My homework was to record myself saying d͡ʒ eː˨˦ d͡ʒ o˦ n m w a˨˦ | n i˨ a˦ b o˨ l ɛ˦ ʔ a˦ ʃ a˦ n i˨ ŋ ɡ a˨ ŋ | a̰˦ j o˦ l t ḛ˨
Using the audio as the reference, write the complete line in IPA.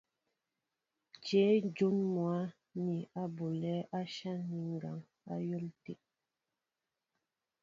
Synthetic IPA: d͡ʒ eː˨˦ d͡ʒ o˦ n m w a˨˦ | n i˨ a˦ b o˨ l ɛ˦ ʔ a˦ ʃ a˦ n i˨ ŋ ɡ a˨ ŋ | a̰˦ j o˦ l t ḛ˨